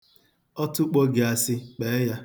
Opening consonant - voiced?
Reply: no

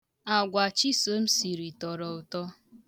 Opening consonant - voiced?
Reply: yes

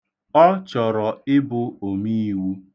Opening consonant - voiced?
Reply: no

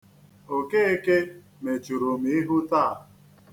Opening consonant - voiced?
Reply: no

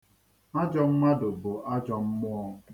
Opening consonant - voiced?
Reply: yes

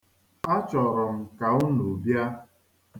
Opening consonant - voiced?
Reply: no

